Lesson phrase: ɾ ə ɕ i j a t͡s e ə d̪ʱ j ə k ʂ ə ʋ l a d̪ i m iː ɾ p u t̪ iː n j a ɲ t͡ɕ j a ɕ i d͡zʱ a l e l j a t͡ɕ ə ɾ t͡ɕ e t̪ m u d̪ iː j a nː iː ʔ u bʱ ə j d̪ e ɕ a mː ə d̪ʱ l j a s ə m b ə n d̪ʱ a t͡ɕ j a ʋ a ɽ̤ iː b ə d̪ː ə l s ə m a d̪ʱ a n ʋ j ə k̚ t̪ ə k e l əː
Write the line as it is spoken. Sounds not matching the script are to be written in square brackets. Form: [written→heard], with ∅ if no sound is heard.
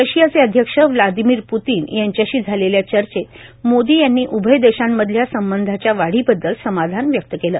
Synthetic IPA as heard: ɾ ə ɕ i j a t͡s e ə d̪ʱ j ə k ʂ ə ʋ l a d̪ i m iː ɾ p u t̪ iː n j a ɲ t͡ɕ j a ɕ [i→iː] d͡zʱ a l e l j a t͡ɕ ə ɾ t͡ɕ e t̪ m [u→o] d̪ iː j a nː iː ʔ u bʱ ə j d̪ e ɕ a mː ə d̪ʱ l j a s ə m b ə n d̪ʱ a t͡ɕ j a ʋ a ɽ̤ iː b ə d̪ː ə l s ə m a d̪ʱ a n ʋ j ə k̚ t̪ ə k e l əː